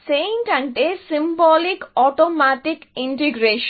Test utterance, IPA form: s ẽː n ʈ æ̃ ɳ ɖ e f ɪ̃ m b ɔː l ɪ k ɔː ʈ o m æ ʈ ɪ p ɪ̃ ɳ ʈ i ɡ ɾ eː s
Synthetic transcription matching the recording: s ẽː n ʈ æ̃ ɳ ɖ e s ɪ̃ m b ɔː l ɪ k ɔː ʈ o m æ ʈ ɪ k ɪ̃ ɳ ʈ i ɡ ɾ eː ʃ